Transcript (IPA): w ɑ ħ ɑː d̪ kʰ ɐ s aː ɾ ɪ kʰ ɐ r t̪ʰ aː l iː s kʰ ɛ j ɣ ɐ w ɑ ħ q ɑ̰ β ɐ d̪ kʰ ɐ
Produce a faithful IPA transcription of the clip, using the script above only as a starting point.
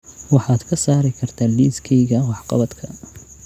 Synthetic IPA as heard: w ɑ ħ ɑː d̪ kʰ ɐ s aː ɾ ɪ kʰ ɐ r t̪ʰ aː l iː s kʰ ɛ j ɣ ɐ w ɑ ħ q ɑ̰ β ɐ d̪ kʰ ɐ